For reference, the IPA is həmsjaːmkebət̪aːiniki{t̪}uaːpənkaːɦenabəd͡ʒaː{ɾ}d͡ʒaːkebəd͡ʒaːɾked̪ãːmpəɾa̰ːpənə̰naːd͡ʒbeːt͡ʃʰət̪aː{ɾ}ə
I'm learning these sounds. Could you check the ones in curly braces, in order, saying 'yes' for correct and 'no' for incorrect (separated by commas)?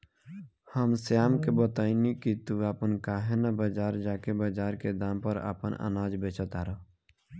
yes, yes, yes